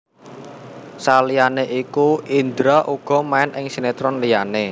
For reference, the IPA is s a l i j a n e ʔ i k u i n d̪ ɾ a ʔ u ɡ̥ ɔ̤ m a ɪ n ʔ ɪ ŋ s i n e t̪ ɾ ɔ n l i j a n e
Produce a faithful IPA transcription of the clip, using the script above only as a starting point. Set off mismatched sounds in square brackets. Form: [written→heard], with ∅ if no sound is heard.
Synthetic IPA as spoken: s a l i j a n e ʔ i k u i n d̪ ɾ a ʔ u ɡ̥ ɔ̤ m a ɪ n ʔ ɪ ŋ s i n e t̪ ɾ ɔ n l i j a n e